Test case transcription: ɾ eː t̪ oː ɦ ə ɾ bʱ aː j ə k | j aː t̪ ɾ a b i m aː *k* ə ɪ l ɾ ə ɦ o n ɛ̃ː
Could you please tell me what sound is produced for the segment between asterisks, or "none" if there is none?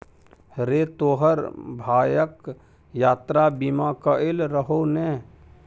k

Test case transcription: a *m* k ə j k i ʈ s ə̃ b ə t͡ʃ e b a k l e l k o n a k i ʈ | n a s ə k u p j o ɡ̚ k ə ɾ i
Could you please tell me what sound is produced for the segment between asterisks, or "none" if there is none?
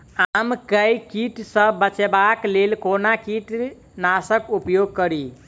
m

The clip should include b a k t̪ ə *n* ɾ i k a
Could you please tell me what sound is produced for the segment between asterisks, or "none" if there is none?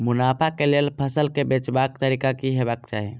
none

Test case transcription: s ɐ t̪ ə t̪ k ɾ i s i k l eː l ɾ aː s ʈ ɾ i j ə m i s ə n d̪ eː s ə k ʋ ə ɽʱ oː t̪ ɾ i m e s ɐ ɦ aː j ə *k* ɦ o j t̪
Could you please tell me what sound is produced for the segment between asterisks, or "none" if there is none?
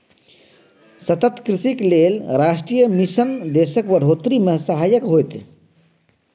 k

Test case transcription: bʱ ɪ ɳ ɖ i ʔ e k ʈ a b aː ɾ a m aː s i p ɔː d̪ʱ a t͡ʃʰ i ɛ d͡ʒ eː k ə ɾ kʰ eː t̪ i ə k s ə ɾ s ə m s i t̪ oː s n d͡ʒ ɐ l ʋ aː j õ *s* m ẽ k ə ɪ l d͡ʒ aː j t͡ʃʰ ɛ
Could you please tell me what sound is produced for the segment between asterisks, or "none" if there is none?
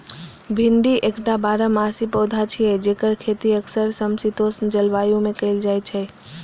none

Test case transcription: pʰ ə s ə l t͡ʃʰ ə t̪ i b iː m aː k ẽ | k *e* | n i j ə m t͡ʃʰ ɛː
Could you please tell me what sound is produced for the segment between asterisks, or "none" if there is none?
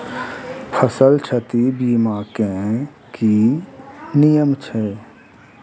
i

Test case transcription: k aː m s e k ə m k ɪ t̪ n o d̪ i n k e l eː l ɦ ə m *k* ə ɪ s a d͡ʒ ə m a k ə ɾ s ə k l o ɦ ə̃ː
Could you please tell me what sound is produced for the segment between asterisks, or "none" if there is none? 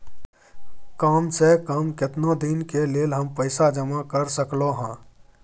p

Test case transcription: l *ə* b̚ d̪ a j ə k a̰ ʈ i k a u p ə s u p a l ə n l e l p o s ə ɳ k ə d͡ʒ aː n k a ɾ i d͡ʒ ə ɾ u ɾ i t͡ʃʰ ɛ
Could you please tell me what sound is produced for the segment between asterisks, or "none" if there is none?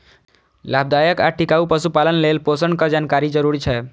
a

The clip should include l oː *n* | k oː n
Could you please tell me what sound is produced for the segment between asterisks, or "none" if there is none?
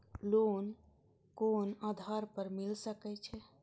n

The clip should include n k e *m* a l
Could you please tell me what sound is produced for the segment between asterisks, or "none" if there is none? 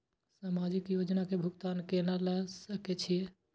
n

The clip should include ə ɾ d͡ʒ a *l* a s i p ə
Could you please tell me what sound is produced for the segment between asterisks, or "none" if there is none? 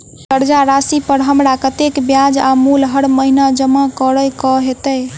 ɾ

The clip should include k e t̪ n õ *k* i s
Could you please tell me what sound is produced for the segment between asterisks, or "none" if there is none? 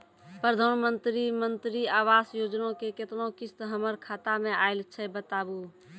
k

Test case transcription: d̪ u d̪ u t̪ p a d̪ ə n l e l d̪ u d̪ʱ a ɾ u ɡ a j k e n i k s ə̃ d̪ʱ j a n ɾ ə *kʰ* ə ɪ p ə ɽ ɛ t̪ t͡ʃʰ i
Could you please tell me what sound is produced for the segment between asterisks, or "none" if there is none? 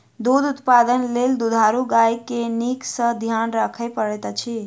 kʰ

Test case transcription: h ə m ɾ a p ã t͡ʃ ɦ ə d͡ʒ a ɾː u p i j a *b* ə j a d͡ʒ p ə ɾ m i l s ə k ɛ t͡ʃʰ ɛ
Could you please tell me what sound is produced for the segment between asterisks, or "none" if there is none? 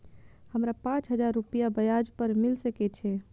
b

